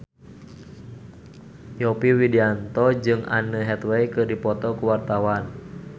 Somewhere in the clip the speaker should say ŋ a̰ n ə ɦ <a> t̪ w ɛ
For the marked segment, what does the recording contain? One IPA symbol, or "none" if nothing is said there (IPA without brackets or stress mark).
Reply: ɛ